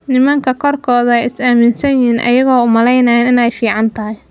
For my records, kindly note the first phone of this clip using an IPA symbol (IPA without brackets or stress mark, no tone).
n